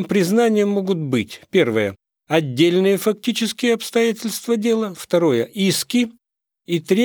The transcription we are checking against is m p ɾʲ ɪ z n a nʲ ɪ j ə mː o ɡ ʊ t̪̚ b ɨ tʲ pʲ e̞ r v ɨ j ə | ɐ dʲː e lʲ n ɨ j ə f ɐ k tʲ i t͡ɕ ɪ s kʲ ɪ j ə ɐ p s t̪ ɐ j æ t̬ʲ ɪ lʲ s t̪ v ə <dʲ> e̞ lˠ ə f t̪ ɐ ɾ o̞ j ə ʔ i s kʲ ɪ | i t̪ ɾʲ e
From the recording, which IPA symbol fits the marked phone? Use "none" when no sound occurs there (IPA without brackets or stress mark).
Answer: dʲ